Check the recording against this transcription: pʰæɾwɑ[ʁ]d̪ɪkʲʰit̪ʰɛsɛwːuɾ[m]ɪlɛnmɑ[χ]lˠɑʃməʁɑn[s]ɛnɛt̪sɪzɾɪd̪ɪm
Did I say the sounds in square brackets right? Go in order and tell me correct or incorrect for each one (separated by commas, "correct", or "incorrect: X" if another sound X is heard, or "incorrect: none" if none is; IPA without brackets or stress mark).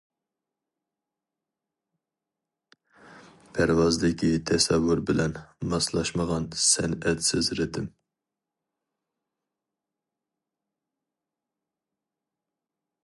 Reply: incorrect: z, incorrect: b, incorrect: s, correct